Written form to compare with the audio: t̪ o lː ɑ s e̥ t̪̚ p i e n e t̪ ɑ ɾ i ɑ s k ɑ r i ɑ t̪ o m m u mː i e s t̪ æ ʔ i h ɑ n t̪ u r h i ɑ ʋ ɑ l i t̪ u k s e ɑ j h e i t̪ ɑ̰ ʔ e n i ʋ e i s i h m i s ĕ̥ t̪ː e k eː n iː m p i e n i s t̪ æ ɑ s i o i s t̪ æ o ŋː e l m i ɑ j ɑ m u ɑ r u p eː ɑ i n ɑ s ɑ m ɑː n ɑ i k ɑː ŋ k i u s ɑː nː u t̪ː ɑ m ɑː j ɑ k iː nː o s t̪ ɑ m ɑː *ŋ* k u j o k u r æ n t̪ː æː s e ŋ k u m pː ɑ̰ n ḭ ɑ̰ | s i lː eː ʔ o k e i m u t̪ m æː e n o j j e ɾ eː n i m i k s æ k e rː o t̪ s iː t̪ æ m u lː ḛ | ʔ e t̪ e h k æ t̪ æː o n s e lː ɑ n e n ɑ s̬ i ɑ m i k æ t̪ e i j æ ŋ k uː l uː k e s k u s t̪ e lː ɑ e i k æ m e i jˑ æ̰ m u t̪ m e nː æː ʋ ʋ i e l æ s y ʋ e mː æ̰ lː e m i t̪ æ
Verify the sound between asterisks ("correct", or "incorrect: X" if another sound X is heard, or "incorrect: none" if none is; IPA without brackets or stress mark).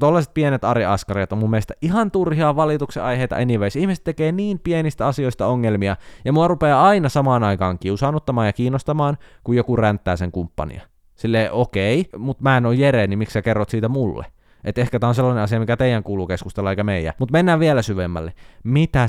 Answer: incorrect: n